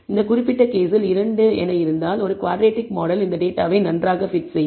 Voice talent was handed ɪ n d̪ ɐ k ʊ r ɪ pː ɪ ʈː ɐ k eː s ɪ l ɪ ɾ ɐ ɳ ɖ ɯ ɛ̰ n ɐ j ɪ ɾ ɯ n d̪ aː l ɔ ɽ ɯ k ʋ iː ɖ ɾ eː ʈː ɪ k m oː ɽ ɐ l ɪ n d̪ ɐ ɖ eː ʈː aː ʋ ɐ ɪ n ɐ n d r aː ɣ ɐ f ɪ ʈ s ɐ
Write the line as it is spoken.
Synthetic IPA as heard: ɪ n d̪ ɐ k ʊ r ɪ pː ɪ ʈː ɐ k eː s ɪ l ɪ ɾ ɐ ɳ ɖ ɯ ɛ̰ n ɐ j ɪ ɾ ɯ n d̪ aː l ɔ ɾ ɯ k ʋ aː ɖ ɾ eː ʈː ɪ k m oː ɽ ɐ l ɪ n d̪ ɐ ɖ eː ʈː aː ʋ ɐ ɪ n ɐ n d r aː ɣ ɐ f ɪ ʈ s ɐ